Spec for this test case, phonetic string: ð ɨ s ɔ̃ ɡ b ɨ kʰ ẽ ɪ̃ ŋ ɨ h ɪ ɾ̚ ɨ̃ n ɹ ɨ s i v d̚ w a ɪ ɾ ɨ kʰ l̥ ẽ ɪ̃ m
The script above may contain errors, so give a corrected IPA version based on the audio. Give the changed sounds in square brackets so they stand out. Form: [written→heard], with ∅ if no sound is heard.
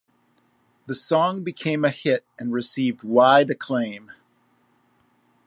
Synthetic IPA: ð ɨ s ɔ̃ [ɡ→ŋ] b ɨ kʰ ẽ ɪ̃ [ŋ→m] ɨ h ɪ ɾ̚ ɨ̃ n ɹ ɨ s i v d̚ w a ɪ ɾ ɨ kʰ l̥ ẽ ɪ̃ m